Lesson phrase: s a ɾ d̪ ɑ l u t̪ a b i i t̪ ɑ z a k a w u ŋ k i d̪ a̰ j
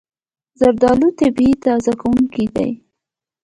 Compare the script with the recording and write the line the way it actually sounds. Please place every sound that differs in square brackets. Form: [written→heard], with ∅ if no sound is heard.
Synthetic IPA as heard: [s→z] a ɾ d̪ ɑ l u t̪ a b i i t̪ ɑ z a k a w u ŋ k i d̪ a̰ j